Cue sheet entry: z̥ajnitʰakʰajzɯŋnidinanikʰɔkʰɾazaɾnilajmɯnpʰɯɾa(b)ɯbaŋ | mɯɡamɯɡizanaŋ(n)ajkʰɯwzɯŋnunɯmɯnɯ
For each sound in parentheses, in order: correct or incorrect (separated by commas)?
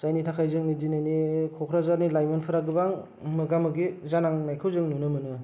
incorrect, correct